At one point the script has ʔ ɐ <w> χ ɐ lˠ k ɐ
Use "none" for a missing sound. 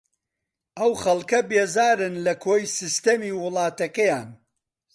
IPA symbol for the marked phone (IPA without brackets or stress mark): w